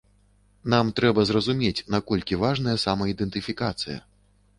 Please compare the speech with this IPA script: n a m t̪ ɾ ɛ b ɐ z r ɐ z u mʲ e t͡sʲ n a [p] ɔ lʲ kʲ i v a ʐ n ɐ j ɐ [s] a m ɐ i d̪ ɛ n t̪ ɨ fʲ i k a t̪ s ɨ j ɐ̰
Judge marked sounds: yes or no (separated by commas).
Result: no, yes